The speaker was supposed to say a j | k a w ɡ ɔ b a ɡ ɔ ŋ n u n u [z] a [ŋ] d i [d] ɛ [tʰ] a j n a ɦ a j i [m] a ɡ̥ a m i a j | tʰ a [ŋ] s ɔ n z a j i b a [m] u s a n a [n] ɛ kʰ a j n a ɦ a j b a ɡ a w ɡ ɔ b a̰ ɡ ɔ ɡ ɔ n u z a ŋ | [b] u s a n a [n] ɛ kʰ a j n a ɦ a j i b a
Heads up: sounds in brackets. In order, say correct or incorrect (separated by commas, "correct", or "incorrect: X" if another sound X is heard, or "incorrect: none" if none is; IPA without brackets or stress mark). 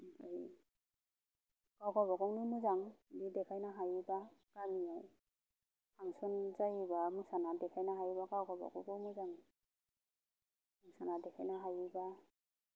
correct, correct, correct, incorrect: kʰ, incorrect: b, correct, correct, incorrect: d, incorrect: m, incorrect: d